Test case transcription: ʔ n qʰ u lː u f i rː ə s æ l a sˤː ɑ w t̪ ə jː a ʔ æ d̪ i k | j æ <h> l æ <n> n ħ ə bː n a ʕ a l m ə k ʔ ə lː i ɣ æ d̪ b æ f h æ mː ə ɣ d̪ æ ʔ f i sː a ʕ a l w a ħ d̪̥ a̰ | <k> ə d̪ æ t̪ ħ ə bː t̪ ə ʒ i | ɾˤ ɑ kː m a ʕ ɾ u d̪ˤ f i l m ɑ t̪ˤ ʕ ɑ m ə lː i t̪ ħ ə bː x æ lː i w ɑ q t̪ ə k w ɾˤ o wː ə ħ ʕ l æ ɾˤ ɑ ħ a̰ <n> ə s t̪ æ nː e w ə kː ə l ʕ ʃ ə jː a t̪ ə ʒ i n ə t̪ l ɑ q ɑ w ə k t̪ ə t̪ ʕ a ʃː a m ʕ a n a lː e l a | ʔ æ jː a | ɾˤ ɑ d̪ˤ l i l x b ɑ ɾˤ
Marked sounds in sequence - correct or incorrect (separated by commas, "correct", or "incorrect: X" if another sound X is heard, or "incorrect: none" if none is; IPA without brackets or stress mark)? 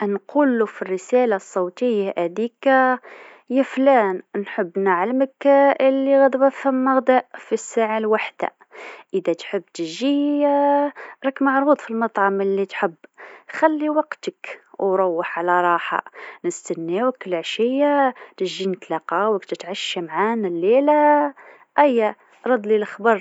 incorrect: f, correct, incorrect: ʔ, correct